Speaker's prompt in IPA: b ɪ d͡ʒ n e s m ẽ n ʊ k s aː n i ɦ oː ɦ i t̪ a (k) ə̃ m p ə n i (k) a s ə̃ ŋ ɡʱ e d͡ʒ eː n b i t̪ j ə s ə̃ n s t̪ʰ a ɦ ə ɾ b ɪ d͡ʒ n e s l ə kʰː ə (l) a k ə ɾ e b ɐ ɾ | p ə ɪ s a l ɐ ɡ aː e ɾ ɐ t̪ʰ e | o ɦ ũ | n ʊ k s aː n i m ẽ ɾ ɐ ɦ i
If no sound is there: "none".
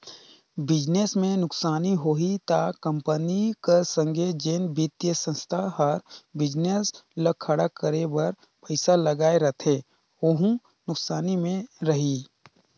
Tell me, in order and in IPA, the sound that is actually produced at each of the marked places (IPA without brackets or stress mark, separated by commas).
k, k, ɽ